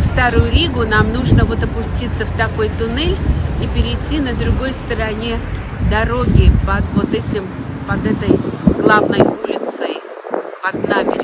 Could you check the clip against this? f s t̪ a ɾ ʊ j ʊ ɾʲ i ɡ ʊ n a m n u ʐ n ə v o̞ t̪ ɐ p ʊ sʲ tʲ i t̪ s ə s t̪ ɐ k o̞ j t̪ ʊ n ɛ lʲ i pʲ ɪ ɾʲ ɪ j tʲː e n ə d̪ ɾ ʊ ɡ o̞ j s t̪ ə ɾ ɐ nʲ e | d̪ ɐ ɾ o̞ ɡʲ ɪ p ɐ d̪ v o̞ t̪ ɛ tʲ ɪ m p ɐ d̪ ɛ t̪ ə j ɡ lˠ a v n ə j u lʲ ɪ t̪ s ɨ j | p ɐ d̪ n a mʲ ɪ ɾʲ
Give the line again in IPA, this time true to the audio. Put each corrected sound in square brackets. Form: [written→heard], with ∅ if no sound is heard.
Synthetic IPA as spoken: f s t̪ a ɾ ʊ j ʊ ɾʲ i ɡ ʊ n a m n u ʐ n ə v o̞ t̪ ɐ p ʊ sʲ tʲ i t̪ s ə [s→f] t̪ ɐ k o̞ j t̪ ʊ n ɛ lʲ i pʲ ɪ ɾʲ ɪ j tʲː [e→i] n ə d̪ ɾ ʊ ɡ o̞ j s t̪ ə ɾ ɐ nʲ e | d̪ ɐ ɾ o̞ ɡʲ ɪ p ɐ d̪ v o̞ t̪ ɛ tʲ ɪ m p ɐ d̪ ɛ t̪ ə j ɡ lˠ a v n ə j u lʲ ɪ t̪ s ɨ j | p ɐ d̪ n a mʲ ɪ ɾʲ